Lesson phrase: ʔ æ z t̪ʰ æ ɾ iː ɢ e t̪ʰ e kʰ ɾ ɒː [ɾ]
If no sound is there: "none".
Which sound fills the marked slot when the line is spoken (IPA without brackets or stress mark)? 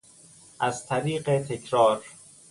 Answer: ɾ